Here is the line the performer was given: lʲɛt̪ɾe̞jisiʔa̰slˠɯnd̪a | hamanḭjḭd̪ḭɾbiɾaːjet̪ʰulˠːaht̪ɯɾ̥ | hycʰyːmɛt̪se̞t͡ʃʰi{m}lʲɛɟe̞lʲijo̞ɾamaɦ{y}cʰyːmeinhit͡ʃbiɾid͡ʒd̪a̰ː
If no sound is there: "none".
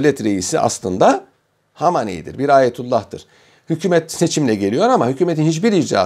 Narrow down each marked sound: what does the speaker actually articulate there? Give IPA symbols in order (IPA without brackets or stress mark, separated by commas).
m, y